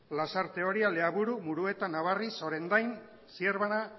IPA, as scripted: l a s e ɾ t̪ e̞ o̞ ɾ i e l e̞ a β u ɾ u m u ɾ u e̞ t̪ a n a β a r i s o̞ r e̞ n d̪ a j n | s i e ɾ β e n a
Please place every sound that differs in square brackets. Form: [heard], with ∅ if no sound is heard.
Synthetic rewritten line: l a s [a] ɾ t̪ e̞ o̞ ɾ i [a] l e̞ a β u ɾ u m u ɾ u e̞ t̪ a n a β a r i s o̞ [ɾ] e̞ n d̪ a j n | s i e ɾ β [a] n a